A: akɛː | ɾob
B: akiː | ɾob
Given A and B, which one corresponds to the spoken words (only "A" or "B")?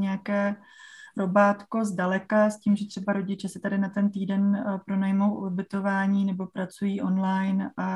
A